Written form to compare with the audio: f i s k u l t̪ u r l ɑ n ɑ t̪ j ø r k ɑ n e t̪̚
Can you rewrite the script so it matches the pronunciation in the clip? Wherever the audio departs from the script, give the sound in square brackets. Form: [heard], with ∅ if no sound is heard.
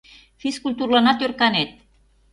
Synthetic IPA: f i s k u l t̪ u r l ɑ n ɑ t̪ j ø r k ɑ n e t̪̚